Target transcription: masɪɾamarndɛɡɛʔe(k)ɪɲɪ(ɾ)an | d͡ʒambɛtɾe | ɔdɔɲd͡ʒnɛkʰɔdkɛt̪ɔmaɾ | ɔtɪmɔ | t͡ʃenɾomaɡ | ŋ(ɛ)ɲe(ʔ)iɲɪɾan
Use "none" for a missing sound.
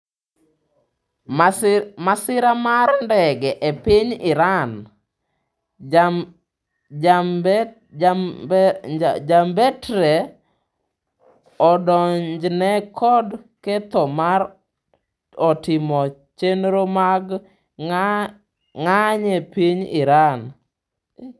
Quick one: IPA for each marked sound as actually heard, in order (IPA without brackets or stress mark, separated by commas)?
p, ɾ, a, p